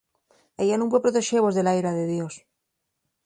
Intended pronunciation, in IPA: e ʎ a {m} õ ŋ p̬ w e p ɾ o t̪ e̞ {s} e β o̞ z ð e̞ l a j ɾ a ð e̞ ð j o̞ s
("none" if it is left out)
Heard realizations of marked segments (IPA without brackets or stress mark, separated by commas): n, ʃ